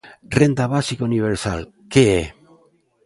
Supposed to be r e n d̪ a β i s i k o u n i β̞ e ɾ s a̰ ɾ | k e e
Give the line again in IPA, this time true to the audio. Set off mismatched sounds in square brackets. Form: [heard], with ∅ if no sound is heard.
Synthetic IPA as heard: r e n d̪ a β [a] s i k o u n i β̞ e ɾ s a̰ [l] | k e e